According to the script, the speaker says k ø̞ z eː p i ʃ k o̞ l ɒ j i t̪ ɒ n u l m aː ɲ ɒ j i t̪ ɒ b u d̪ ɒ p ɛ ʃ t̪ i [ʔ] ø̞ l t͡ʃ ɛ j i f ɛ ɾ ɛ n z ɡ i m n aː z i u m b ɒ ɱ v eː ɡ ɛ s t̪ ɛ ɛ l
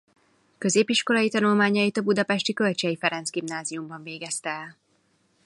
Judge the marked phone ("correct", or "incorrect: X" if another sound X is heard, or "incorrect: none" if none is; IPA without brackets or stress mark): incorrect: k